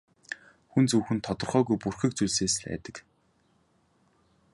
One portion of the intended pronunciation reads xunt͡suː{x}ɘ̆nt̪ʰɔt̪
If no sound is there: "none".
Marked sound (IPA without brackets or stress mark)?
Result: x